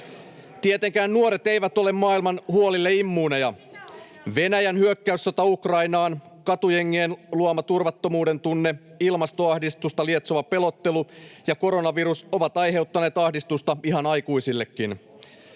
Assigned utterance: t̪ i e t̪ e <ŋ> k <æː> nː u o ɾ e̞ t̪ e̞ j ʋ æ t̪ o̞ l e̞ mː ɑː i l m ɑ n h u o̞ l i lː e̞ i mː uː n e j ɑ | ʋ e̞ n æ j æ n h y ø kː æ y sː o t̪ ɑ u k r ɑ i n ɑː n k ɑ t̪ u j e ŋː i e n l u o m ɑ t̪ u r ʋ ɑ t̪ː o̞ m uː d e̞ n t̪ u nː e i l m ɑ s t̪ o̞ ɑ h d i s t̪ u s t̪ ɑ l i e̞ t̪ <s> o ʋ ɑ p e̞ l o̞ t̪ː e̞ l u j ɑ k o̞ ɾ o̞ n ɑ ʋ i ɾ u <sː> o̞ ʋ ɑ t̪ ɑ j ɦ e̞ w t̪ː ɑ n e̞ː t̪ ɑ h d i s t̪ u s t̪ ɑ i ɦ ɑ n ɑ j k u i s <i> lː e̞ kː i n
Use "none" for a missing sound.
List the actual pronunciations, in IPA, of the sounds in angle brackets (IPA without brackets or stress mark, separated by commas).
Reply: ŋ, æː, s, s, i